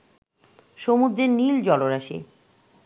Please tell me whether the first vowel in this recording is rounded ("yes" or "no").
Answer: yes